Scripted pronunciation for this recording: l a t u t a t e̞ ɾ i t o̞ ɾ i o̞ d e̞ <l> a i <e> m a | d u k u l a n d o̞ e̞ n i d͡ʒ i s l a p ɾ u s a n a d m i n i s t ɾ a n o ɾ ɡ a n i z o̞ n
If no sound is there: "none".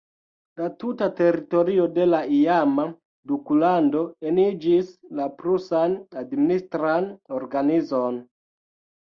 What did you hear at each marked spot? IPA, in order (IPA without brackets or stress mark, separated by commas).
l, a